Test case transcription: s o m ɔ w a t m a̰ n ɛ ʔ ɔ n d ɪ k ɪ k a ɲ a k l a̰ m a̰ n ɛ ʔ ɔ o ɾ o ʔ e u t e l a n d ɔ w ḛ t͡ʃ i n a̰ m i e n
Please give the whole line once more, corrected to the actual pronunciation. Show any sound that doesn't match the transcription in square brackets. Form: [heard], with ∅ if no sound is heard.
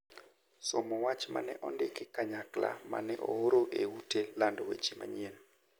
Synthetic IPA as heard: s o m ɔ w a [t͡ʃ] m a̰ n ɛ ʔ ɔ n d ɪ k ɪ k a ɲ a k l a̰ m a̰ n ɛ ʔ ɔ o ɾ o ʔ e u t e l a n d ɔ w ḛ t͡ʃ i [m] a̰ [ɲ] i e n